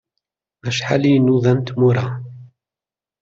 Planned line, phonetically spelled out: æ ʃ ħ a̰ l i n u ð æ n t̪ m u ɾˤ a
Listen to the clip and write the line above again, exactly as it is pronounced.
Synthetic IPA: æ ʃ ħ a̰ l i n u ð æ n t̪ m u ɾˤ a